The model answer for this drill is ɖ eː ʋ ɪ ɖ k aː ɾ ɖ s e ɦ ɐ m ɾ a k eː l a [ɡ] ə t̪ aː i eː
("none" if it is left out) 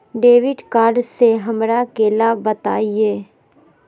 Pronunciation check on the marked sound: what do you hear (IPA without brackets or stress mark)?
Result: b